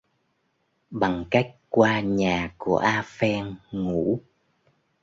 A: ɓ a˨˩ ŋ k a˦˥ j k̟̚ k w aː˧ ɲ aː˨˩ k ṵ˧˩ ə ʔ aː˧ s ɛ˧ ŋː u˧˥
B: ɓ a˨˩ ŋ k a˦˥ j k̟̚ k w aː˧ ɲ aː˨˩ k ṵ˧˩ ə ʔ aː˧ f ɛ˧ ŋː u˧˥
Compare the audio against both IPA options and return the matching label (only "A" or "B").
B